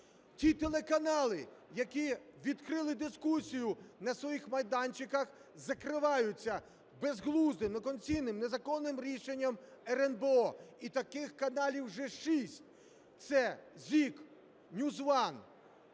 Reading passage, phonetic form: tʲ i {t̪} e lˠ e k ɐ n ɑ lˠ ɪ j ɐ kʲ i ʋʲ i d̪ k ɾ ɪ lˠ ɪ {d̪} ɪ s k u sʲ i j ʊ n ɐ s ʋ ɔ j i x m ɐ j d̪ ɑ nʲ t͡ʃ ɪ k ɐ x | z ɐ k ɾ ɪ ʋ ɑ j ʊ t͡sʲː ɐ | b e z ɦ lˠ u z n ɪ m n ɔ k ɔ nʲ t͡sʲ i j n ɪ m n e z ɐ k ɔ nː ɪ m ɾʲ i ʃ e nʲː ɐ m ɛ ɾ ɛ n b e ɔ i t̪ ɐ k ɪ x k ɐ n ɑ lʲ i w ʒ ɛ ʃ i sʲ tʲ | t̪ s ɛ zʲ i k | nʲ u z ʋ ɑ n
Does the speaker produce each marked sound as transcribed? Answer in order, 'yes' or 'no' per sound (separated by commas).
yes, yes